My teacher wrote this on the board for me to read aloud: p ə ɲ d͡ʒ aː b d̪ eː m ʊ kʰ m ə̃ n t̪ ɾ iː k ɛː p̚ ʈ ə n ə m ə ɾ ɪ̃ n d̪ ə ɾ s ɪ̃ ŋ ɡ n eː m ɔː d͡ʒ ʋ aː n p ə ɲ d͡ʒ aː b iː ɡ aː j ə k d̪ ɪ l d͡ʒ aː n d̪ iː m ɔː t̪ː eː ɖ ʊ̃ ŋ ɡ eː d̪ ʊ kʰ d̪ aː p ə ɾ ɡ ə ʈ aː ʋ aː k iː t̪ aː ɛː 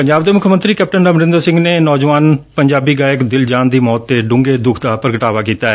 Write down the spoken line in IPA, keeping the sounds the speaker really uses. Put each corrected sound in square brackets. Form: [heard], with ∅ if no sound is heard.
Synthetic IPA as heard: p ə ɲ d͡ʒ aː b d̪ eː m ʊ kʰ m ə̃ n t̪ ɾ iː k ɛː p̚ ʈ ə n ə m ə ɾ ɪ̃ n d̪ ə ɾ s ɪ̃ ŋ ɡ n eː [n] ɔː d͡ʒ ʋ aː n p ə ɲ d͡ʒ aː b iː ɡ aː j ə k d̪ ɪ l d͡ʒ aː n d̪ iː m ɔː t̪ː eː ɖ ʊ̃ ŋ ɡ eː d̪ ʊ kʰ d̪ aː p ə ɾ ɡ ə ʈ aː ʋ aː k iː t̪ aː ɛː

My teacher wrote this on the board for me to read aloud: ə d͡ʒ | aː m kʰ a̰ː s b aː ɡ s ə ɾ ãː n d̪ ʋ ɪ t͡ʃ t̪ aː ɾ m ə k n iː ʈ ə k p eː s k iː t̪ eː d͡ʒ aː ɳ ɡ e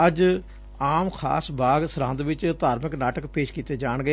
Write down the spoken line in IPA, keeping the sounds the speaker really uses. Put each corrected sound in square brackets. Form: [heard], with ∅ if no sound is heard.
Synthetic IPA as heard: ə d͡ʒ | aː m kʰ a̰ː s b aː ɡ s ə ɾ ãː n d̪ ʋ ɪ t͡ʃ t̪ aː ɾ m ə k n [aː] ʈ ə k p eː [ʃ] k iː t̪ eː d͡ʒ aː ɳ ɡ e

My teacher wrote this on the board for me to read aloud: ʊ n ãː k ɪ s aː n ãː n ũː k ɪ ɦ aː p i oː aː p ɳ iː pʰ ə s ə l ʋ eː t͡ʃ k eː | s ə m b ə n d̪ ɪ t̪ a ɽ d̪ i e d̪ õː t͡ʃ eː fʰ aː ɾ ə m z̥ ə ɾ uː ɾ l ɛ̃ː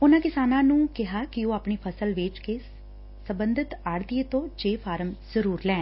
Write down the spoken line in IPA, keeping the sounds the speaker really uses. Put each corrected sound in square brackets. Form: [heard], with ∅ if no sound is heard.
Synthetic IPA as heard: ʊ n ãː k ɪ s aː n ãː n ũː k ɪ ɦ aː [k] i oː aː p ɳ iː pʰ ə s ə l ʋ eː t͡ʃ k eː | s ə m b ə n d̪ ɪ t̪ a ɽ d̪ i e [t̪] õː t͡ʃ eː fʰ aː ɾ ə m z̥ ə ɾ uː ɾ l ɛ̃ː

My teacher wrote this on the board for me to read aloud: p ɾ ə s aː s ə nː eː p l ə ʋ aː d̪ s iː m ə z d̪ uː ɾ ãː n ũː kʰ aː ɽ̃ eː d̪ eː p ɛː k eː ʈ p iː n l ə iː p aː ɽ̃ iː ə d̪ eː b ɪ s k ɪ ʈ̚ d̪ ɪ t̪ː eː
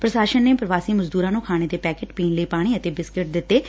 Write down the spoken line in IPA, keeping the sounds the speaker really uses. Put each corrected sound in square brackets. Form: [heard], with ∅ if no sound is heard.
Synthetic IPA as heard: p ɾ ə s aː [ʃ] ə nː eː p [ɾ] ə ʋ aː [∅] s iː m ə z d̪ uː ɾ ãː n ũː kʰ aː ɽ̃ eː d̪ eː p ɛː k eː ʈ p iː n l ə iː p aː ɽ̃ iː ə [t̪] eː b ɪ s k ɪ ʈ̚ d̪ ɪ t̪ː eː

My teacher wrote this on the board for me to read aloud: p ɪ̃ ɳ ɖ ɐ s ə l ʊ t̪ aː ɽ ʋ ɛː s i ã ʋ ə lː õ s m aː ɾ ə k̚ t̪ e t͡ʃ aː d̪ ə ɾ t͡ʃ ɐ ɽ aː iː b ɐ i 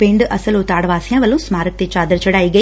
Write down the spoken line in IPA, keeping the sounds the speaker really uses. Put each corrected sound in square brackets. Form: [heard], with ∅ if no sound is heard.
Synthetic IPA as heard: p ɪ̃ ɳ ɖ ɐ s ə l ʊ t̪ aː ɽ ʋ [aː] s [j] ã ʋ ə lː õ s m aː ɾ ə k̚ t̪ e t͡ʃ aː d̪ ə ɾ t͡ʃ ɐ ɽ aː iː [ɡ] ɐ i

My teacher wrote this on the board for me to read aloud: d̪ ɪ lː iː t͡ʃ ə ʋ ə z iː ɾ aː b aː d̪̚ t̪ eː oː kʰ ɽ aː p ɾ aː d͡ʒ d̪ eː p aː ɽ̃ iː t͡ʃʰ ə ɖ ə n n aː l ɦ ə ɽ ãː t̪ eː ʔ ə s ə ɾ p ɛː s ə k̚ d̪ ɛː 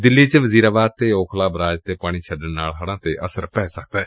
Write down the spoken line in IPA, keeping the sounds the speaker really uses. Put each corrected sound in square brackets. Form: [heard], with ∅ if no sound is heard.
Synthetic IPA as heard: d̪ ɪ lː iː t͡ʃ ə ʋ ə z iː ɾ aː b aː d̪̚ t̪ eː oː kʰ [l] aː [b] ɾ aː d͡ʒ [t̪] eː p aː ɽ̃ iː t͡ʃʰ ə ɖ ə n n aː l ɦ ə ɽ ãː t̪ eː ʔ ə s ə ɾ p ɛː s ə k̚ d̪ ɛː

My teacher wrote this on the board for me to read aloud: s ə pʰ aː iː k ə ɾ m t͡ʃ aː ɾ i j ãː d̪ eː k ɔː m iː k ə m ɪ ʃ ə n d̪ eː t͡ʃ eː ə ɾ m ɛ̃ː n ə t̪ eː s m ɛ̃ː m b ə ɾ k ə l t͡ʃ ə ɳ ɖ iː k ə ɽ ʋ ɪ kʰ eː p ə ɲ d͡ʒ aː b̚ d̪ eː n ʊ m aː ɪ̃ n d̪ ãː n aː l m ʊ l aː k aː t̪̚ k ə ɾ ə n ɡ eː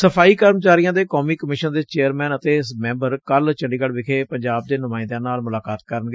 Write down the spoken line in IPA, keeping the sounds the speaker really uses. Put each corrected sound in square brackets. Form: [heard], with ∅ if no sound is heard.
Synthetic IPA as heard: s ə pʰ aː iː k ə ɾ m t͡ʃ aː ɾ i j ãː d̪ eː k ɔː m iː k ə m ɪ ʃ ə n d̪ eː t͡ʃ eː ə ɾ m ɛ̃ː n ə t̪ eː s m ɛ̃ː m b ə ɾ k ə l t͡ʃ ə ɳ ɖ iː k ə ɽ ʋ ɪ kʰ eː p ə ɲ d͡ʒ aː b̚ d̪ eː n ʊ m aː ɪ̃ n d̪ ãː n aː l m ʊ l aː k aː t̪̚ k ə ɾ ə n ɡ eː

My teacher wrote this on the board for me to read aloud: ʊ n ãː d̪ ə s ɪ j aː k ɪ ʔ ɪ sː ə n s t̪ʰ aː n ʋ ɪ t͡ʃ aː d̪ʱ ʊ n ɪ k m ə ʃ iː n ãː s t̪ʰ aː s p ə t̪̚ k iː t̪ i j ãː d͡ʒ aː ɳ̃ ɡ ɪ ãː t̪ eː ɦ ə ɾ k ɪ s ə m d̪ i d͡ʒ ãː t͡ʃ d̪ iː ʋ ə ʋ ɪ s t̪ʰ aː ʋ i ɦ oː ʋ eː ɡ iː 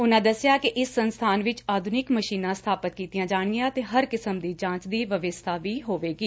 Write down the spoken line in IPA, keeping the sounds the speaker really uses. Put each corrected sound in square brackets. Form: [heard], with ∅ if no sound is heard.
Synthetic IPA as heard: ʊ n ãː d̪ ə s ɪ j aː k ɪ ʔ ɪ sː ə n s t̪ʰ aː n ʋ ɪ t͡ʃ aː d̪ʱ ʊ n ɪ k m ə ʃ iː n ãː s t̪ʰ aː [∅] p ə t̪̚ k iː t̪ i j ãː d͡ʒ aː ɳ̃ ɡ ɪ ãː t̪ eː ɦ ə ɾ k ɪ s ə m d̪ [iː] d͡ʒ ãː t͡ʃ d̪ iː ʋ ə ʋ ɪ s t̪ʰ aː ʋ [iː] ɦ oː ʋ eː ɡ iː

